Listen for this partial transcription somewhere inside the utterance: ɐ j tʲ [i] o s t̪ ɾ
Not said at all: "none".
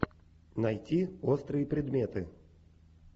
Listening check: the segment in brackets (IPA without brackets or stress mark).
i